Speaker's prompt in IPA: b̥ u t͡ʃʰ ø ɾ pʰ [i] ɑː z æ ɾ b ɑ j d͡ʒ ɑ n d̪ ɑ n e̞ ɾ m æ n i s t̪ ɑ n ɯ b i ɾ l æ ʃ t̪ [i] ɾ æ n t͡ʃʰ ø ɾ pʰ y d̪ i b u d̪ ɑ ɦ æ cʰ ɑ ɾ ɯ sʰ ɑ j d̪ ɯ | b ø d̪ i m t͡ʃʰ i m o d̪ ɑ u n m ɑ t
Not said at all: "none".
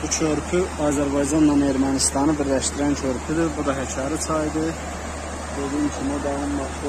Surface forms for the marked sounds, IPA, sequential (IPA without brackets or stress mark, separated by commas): y, i